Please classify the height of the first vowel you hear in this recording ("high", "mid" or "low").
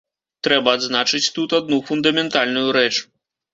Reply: mid